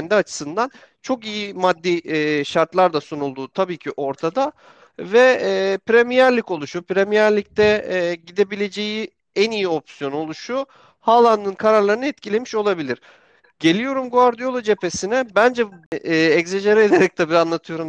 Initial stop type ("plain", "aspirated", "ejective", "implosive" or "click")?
plain